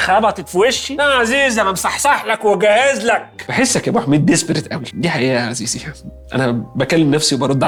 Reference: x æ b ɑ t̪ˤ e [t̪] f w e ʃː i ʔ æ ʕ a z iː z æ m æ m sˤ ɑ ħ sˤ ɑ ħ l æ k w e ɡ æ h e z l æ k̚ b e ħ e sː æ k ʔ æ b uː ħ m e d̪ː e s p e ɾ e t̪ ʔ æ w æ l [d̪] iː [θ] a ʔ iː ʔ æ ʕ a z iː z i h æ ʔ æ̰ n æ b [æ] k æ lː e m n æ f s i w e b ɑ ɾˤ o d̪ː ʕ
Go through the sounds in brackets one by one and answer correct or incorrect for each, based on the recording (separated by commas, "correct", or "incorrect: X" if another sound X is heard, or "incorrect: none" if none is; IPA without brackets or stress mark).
correct, correct, incorrect: ħ, correct